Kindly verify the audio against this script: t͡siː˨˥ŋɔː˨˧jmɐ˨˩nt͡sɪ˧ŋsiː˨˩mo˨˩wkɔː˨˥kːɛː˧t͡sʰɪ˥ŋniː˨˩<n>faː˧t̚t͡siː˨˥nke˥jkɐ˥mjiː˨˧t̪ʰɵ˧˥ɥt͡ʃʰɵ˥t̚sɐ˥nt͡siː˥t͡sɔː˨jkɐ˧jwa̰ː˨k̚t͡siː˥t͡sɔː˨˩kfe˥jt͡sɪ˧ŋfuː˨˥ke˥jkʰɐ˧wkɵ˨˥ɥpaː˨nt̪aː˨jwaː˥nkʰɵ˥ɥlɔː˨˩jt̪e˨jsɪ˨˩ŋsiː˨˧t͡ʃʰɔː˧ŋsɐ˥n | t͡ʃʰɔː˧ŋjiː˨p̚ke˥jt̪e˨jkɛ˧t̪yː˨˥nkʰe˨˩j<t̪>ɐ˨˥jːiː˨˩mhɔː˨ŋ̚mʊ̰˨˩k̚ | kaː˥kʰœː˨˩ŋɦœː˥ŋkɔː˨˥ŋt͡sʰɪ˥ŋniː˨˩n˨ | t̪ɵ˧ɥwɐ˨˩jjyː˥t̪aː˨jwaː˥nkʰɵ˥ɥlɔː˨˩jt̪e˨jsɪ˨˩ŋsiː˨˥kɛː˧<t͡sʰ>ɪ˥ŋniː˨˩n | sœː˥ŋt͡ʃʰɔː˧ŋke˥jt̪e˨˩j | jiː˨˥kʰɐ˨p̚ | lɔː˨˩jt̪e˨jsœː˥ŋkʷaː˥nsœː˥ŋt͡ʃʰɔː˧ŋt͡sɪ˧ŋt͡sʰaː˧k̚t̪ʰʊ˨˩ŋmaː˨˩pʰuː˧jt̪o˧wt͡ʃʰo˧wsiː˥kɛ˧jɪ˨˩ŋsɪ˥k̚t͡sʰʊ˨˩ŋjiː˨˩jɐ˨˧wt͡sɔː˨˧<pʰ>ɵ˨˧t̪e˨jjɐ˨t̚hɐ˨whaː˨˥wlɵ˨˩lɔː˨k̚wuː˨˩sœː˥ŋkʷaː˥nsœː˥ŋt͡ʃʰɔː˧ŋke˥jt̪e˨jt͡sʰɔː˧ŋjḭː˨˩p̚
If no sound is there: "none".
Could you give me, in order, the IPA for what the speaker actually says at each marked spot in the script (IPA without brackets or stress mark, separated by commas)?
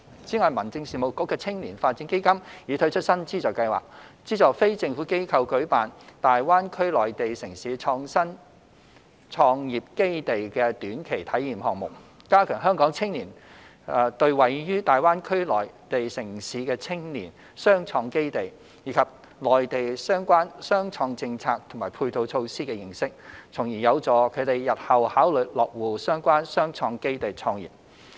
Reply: n, t̪ʰ, t͡sʰ, kʰ